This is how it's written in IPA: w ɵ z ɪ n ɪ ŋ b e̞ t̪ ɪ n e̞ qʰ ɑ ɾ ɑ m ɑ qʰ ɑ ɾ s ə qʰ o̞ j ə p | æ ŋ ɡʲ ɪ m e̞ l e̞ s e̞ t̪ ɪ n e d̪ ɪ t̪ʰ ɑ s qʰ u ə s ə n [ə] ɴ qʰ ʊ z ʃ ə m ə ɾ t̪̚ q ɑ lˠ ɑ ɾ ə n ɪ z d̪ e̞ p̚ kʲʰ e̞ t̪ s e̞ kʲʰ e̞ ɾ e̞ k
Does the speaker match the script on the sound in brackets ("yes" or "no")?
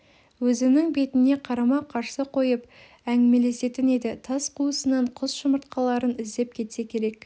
no